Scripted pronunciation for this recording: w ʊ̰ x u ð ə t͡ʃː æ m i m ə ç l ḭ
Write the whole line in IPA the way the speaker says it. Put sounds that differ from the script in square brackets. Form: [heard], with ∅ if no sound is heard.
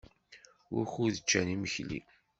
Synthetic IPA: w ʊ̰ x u ð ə t͡ʃː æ [n] i m ə ç l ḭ